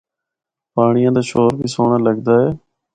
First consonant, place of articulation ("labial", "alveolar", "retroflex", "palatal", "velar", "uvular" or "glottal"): labial